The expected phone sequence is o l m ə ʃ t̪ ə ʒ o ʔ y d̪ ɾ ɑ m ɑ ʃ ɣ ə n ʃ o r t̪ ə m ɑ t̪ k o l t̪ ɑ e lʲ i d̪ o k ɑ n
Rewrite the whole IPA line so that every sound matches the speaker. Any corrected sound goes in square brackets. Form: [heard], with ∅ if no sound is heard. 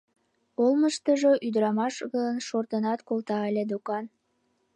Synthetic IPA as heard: o l m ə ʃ t̪ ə ʒ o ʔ y d̪ ɾ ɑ m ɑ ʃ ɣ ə n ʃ o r t̪ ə [n] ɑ t̪ k o l t̪ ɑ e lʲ [e] d̪ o k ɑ n